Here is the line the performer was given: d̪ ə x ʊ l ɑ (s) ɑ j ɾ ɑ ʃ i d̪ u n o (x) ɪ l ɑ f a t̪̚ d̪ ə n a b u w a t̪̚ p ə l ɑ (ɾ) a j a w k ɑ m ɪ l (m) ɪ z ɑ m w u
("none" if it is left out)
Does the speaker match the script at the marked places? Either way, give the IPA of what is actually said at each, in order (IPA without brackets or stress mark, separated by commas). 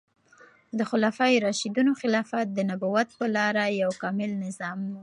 f, x, ɾ, n